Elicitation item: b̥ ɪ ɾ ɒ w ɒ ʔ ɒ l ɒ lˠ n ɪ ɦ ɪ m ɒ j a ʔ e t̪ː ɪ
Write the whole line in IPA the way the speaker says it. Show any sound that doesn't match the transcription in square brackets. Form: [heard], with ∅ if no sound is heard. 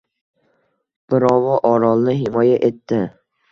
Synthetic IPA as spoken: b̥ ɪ ɾ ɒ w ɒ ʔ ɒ [ɾ] ɒ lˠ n ɪ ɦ ɪ m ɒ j a ʔ e t̪ː ɪ